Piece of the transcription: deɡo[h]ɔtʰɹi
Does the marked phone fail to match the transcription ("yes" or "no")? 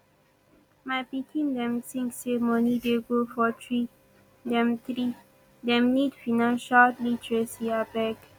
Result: yes